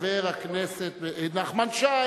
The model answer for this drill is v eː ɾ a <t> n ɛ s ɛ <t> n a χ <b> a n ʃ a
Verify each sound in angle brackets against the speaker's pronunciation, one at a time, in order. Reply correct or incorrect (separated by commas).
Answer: incorrect, correct, incorrect